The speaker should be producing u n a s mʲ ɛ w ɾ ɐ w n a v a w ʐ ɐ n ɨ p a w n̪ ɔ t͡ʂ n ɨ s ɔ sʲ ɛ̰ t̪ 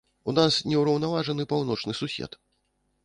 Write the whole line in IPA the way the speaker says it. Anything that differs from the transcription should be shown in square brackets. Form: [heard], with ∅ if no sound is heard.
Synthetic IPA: u n a s [nʲ] ɛ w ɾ ɐ w n a v a [∅] ʐ ɐ n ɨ p a w n̪ ɔ t͡ʂ n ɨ s [u] sʲ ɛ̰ t̪